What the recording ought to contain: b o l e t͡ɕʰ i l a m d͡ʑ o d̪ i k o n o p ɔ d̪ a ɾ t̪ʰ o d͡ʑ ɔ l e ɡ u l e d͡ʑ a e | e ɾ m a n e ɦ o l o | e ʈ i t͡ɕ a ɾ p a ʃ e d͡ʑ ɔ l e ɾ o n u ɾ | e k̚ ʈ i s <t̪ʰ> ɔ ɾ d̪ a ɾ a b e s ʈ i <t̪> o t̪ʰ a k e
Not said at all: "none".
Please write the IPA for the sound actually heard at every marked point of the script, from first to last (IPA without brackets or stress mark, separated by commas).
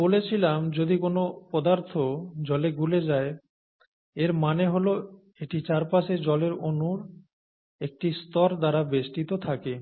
t̪, t̪